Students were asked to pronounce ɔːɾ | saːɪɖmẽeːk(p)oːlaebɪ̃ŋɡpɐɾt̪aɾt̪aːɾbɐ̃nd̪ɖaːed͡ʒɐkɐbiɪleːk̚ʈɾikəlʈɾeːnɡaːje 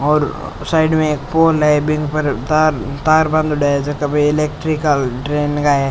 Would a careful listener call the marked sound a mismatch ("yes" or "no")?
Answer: no